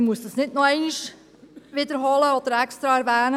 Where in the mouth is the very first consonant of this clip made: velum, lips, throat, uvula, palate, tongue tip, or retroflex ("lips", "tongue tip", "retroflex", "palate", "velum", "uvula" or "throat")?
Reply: lips